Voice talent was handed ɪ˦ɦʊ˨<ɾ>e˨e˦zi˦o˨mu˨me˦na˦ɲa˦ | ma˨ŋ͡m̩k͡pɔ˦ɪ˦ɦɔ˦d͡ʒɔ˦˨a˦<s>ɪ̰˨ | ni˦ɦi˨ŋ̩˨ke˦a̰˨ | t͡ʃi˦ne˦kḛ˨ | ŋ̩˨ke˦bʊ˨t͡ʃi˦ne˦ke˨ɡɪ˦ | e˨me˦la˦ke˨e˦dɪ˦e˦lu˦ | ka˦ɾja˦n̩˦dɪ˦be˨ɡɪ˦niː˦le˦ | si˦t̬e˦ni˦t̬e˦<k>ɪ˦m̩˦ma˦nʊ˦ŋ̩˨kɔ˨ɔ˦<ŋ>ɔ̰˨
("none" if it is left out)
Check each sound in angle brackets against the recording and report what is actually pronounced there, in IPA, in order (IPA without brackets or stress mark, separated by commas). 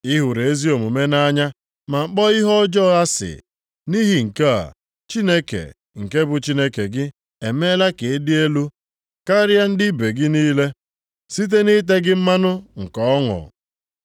ɾ, s, ɡ, ŋ